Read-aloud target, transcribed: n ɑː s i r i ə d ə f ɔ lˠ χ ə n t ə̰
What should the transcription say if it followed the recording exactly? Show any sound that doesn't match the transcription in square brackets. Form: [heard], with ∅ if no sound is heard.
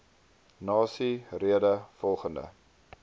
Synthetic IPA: n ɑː s i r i ə d ə f ɔ lˠ χ ə n [d] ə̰